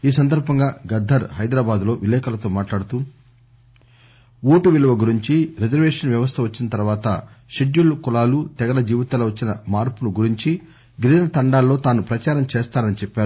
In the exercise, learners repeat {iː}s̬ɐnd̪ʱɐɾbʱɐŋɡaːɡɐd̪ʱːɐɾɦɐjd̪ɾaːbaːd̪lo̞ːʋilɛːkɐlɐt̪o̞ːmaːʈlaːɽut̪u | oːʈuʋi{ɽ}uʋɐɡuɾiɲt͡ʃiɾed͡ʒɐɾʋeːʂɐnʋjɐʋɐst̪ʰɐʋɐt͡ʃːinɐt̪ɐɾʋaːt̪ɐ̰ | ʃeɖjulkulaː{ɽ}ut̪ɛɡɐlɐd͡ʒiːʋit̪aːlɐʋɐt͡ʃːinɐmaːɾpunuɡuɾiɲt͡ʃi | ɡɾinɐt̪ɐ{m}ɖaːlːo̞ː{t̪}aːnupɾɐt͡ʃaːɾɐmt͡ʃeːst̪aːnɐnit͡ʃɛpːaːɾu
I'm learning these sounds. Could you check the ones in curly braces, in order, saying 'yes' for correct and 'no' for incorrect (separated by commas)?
yes, no, no, no, yes